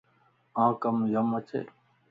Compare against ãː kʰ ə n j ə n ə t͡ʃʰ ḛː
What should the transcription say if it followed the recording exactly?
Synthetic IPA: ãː k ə m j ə m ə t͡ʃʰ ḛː